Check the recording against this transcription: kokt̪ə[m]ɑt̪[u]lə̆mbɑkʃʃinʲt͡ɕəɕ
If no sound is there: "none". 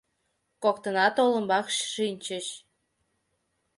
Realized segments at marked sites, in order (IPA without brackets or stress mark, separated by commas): n, o